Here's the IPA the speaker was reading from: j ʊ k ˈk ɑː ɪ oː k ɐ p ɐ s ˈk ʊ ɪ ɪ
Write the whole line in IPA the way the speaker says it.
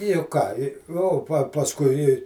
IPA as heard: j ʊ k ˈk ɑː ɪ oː p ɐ p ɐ s ˈk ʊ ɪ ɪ